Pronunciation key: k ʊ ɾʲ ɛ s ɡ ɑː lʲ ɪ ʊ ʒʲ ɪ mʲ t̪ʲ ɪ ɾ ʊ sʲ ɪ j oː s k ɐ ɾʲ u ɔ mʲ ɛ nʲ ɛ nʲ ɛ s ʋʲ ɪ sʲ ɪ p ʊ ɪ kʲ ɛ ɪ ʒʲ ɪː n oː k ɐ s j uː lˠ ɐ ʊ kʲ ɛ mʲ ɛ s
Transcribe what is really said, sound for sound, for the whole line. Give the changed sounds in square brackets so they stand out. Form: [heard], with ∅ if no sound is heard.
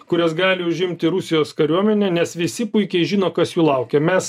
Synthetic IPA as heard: k ʊ ɾʲ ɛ s ɡ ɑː lʲ ɪ ʊ ʒʲ ɪ mʲ t̪ʲ ɪ ɾ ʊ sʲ ɪ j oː s k ɐ ɾʲ u ɔ mʲ ɛ nʲ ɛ nʲ ɛ s ʋʲ ɪ sʲ ɪ p ʊ ɪ kʲ ɛ ɪ ʒʲ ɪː n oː k ɐ s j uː lˠ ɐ ʊ kʲ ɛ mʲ ɛ s